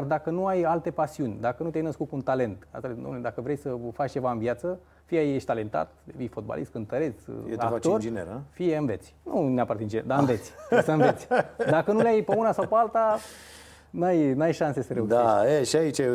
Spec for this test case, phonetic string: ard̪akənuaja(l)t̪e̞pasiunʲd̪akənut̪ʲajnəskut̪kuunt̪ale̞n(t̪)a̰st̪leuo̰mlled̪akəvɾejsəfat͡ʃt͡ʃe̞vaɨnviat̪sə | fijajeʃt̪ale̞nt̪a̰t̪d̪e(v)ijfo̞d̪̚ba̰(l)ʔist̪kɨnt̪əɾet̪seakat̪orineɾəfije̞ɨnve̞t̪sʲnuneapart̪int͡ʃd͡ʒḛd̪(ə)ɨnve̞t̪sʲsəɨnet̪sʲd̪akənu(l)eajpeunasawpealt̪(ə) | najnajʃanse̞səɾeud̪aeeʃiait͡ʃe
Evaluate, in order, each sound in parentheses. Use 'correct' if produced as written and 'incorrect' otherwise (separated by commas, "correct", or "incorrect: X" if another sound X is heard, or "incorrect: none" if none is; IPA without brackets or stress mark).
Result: correct, correct, correct, correct, incorrect: a, correct, incorrect: a